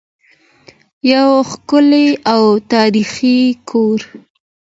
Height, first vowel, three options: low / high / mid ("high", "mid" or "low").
low